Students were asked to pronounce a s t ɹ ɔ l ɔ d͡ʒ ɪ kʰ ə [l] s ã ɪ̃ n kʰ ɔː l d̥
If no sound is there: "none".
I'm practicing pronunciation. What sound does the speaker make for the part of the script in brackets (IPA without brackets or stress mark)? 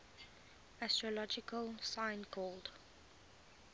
l